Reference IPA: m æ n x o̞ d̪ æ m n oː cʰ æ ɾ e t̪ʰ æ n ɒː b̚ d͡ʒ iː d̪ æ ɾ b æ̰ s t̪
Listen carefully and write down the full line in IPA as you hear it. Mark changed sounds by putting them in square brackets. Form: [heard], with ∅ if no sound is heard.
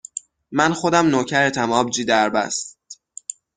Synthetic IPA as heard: m æ n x o̞ d̪ æ m n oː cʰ æ ɾ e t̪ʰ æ [m] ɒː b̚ d͡ʒ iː d̪ æ ɾ b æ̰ s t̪